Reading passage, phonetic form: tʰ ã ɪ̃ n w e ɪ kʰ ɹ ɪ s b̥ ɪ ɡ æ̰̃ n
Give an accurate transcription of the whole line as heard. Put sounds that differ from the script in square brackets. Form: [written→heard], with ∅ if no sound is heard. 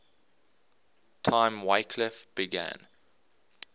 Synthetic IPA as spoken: tʰ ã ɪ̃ [n→m] w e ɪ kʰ [ɹ→l] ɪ [s→f] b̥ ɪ ɡ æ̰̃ n